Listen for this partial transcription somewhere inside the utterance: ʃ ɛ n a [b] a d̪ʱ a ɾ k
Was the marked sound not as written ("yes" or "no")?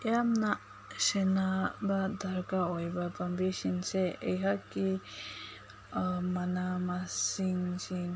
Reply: no